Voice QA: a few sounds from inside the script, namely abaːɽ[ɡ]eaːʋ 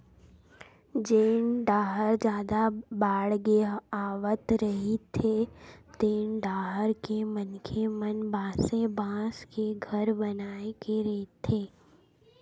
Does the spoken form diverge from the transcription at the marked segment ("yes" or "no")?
no